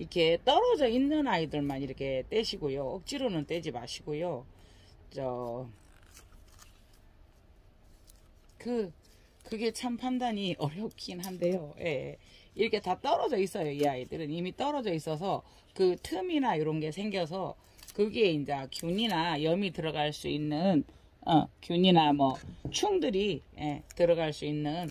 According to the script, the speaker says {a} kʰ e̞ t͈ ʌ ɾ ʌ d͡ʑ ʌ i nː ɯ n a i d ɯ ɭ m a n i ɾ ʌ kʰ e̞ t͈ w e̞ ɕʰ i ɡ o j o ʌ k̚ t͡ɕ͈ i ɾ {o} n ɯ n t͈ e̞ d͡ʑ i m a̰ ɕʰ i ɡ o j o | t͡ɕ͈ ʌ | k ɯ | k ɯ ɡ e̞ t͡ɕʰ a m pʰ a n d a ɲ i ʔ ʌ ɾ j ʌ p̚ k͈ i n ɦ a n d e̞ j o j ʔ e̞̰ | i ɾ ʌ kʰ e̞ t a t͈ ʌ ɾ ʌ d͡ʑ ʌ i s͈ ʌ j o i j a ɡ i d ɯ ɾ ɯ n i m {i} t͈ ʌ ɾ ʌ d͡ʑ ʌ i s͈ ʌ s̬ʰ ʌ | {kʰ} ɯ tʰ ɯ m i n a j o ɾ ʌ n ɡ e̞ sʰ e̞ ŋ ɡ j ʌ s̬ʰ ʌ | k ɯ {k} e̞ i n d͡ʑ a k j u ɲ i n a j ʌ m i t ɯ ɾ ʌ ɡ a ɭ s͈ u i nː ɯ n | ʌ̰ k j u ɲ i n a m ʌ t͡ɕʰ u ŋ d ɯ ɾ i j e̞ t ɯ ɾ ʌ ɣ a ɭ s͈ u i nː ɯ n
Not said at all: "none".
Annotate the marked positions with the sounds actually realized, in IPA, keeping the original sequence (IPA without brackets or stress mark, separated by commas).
i, o, i, k, ɡ